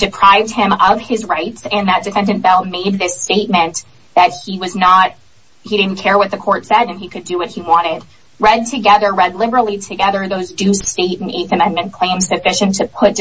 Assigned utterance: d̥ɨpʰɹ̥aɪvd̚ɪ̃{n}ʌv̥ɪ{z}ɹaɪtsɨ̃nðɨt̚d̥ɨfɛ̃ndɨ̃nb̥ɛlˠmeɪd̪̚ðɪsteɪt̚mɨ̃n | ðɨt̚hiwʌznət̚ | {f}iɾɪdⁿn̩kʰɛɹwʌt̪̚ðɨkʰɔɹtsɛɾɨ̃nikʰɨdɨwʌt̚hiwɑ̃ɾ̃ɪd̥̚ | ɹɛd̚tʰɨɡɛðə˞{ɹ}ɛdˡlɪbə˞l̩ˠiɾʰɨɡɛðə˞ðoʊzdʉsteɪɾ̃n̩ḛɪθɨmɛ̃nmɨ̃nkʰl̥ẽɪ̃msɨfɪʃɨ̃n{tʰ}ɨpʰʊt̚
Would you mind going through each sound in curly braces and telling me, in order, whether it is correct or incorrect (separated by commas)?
incorrect, correct, incorrect, correct, correct